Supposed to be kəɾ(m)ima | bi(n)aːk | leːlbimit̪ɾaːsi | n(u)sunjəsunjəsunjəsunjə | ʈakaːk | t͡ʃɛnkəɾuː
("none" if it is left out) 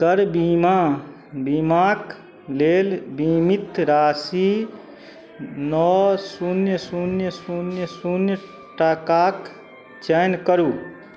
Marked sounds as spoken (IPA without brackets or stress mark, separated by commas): b, m, ɔ